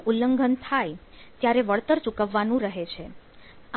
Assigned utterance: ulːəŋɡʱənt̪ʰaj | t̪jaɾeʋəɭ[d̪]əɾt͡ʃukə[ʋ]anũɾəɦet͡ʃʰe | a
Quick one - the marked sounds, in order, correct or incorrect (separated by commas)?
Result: incorrect, incorrect